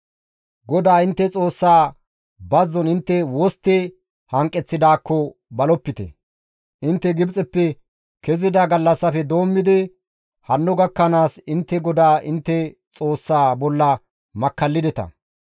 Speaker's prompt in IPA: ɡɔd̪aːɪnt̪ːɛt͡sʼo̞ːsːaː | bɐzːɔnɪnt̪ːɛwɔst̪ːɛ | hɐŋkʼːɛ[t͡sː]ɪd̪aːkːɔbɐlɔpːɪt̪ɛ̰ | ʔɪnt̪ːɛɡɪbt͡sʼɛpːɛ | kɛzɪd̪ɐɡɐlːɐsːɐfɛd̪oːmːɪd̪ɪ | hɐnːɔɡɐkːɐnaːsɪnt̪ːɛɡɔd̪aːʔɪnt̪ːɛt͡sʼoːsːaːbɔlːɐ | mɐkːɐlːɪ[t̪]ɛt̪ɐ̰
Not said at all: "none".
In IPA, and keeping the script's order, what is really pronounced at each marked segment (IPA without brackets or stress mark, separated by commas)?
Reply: t͡sː, d̪